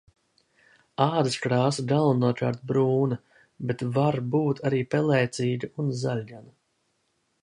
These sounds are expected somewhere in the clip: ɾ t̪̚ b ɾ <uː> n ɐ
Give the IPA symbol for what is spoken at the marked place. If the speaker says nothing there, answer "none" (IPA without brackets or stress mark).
uː